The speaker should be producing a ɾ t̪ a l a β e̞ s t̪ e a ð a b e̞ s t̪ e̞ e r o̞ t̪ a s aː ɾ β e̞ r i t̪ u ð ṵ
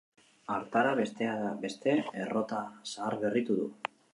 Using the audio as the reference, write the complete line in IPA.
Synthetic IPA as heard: a ɾ t̪ a ɾ a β e̞ s t̪ e a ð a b e̞ s t̪ e̞ e r o̞ t̪ a s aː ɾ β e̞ r i t̪ u ð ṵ